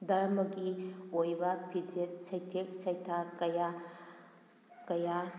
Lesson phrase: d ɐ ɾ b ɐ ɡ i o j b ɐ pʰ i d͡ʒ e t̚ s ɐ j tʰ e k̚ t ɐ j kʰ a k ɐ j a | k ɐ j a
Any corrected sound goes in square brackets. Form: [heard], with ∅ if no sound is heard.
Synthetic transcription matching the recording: d ɐ ɾ [m] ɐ ɡ i o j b ɐ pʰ i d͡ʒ e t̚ s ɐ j tʰ e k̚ [s] ɐ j [tʰ] a k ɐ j a | k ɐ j a